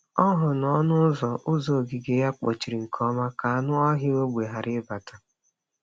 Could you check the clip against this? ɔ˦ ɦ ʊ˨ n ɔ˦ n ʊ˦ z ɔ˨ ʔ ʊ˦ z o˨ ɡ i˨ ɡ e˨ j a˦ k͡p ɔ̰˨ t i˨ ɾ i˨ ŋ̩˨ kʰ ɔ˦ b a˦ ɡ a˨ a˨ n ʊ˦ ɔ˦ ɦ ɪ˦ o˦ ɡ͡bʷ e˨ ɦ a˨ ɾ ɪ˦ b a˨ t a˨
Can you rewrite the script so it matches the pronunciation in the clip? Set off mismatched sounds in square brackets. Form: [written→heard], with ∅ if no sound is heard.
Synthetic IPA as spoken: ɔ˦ ɦ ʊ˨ n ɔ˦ n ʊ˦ z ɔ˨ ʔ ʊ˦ z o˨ ɡ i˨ ɡ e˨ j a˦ k͡p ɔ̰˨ [t→t͡ʃ] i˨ ɾ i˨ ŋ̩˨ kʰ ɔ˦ [b→m] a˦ [ɡ→k] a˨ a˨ n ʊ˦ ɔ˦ ɦ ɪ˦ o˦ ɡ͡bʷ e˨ ɦ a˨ ɾ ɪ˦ b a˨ t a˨

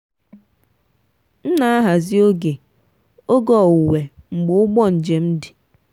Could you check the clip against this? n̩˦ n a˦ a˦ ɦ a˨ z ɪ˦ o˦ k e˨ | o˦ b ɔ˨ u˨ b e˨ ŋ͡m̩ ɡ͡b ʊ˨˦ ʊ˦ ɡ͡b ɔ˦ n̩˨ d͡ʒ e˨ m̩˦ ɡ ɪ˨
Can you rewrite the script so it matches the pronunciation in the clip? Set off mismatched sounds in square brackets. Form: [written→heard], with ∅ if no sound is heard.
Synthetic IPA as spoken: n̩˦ n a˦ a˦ ɦ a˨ z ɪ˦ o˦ [k→ɡ] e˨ | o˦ [b→ɡ] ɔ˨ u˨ [b→w] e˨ ŋ͡m̩ ɡ͡b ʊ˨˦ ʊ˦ ɡ͡b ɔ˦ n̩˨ d͡ʒ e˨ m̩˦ [ɡ→d] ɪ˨

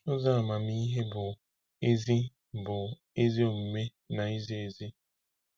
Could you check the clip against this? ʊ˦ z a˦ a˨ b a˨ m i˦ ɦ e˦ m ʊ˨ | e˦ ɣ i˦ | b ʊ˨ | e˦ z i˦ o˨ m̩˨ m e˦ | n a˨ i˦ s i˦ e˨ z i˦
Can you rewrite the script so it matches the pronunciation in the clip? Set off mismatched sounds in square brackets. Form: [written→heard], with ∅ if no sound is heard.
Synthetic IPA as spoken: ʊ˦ z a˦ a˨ [b→m] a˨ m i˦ ɦ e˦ [m→b] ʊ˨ | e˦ [ɣ→z] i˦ | b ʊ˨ | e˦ z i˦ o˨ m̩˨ m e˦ | n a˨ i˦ [s→z] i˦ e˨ z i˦

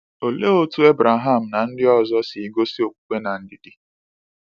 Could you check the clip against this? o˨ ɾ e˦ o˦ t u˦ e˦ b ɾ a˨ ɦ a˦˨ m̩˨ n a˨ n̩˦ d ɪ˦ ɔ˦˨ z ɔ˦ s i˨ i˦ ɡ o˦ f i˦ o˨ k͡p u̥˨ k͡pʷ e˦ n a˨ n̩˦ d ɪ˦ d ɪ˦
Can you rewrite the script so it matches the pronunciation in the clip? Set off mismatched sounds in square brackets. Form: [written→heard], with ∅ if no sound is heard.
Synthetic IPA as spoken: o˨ [ɾ→l] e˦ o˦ t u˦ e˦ b ɾ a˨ ɦ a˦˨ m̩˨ n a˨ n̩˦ d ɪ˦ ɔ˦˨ z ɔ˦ s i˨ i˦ ɡ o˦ [f→s] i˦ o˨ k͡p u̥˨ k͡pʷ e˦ n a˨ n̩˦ d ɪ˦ d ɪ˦

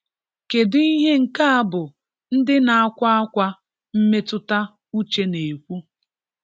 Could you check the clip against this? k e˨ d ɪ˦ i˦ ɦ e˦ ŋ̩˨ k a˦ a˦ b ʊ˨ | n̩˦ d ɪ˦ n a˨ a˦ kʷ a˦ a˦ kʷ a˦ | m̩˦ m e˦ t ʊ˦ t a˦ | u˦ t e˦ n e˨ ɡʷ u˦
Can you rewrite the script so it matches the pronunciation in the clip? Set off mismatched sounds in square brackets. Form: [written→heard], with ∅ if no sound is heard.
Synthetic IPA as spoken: k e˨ d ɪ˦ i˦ ɦ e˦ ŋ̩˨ k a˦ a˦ b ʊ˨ | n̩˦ d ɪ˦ n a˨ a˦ kʷ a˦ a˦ kʷ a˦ | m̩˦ m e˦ t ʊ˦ t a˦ | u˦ [t→t͡ʃ] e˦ n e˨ [ɡʷ→kʷ] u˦

